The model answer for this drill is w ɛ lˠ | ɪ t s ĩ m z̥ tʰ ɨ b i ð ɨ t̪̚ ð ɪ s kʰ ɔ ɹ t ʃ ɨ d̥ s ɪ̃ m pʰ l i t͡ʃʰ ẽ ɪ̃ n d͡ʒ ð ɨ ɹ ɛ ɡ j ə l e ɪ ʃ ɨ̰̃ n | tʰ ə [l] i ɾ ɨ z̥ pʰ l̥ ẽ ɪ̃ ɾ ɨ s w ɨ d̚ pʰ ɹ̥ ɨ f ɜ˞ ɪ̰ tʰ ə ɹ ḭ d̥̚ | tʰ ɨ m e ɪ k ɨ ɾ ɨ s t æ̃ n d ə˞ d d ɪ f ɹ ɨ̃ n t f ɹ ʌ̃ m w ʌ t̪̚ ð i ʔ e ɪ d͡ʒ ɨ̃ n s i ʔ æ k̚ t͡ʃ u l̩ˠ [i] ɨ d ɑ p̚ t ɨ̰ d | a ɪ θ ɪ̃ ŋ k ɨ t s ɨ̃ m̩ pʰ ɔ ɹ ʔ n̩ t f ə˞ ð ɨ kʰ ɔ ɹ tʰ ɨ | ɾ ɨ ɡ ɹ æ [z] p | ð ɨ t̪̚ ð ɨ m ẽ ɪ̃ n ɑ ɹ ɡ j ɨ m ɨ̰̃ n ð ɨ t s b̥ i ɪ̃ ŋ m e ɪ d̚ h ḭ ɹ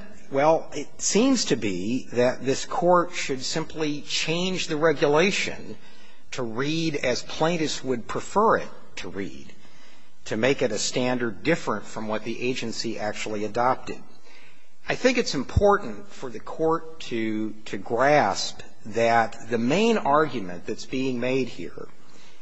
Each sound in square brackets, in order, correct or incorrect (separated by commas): incorrect, correct, incorrect